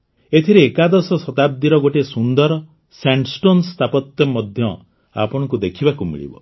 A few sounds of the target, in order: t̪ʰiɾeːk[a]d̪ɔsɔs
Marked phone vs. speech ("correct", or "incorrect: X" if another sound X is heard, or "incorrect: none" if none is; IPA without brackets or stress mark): correct